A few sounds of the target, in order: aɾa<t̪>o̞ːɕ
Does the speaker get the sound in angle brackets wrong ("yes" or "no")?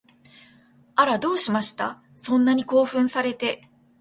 yes